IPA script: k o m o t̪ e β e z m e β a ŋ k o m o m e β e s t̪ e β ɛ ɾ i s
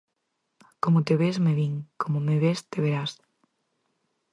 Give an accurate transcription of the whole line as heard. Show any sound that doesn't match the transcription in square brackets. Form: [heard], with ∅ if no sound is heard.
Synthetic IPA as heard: k o m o t̪ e β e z m e β [i] ŋ k o m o m e β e s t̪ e β [e] ɾ [a] s